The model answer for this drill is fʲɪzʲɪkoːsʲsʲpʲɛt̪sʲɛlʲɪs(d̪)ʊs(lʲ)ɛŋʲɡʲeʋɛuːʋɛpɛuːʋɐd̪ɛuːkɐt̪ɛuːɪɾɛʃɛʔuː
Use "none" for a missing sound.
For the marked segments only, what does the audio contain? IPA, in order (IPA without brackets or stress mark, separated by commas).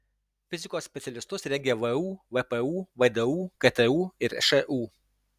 t̪, ɾʲ